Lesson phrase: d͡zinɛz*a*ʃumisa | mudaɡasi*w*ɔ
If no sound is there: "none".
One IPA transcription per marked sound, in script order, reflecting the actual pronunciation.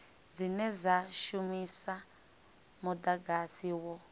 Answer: a, w

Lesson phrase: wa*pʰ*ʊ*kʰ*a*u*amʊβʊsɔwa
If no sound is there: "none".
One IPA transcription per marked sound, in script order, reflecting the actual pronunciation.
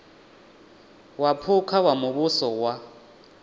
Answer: pʰ, kʰ, w

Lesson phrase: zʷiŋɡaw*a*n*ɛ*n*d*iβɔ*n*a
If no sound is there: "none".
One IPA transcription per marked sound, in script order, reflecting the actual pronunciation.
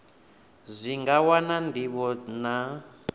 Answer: a, a, d, n

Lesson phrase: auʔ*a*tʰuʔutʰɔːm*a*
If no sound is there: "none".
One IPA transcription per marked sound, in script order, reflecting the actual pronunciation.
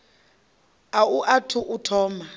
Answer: a, a

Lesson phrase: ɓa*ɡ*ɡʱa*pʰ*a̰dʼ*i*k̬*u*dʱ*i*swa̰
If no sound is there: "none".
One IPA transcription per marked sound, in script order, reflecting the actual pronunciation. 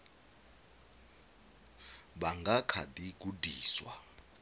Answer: ŋ, kʰ, i, u, iː

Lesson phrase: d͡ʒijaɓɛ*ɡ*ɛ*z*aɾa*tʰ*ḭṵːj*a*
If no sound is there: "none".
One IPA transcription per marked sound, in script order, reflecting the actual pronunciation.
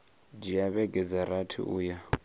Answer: ɡ, z, tʰ, a

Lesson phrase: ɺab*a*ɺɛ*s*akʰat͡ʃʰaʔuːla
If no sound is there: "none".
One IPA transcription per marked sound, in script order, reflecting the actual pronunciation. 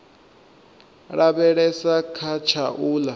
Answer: ɛ, s

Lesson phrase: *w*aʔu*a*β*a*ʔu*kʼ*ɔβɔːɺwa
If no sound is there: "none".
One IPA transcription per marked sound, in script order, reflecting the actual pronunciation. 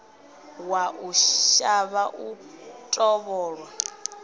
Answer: w, a, a, tʼ

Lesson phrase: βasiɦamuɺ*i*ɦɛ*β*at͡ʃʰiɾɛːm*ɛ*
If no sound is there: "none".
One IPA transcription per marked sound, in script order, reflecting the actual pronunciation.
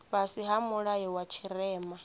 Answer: a, w, a

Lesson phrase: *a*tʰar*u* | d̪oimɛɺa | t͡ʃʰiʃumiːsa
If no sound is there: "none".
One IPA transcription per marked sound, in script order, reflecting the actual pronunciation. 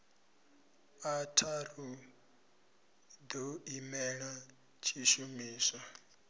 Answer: a, u

